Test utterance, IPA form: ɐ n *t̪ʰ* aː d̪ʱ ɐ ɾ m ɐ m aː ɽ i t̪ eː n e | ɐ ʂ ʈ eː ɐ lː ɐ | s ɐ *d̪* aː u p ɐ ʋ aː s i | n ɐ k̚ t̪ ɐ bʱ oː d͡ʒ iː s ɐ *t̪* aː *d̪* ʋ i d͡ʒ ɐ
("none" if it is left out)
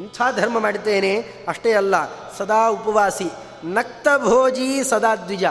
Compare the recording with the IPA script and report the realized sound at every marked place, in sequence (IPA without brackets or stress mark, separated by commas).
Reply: t̪ʰ, d̪, d̪, d̪